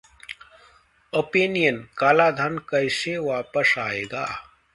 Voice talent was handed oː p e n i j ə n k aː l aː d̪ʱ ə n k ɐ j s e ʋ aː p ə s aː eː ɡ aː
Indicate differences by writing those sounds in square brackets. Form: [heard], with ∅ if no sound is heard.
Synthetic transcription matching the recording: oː p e n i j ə n k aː l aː d̪ʱ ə n k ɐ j s e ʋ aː p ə s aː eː ɡ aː